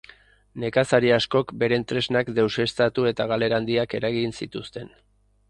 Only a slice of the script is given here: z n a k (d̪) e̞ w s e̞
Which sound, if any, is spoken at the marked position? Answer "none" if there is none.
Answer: d̪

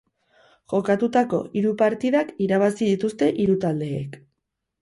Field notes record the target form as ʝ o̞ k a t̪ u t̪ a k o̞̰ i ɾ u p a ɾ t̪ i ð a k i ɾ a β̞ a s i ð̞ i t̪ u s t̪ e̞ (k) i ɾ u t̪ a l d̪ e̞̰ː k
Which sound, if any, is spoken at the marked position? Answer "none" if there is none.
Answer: ʔ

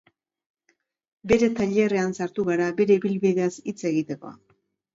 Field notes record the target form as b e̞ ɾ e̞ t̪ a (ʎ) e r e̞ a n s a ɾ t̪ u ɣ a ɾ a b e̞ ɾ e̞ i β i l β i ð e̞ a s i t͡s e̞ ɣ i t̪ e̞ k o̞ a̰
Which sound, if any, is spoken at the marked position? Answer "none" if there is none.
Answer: ʎ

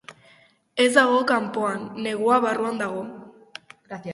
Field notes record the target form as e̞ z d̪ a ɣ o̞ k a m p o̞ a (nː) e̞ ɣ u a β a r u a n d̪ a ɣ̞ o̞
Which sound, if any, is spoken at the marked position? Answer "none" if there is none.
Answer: nː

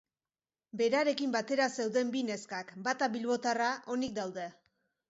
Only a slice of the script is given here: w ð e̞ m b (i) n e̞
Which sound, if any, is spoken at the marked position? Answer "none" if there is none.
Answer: i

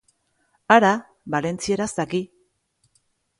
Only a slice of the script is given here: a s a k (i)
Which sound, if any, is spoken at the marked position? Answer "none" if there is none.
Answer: i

